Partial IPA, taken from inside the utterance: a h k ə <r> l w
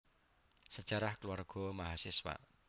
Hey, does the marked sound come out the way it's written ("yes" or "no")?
no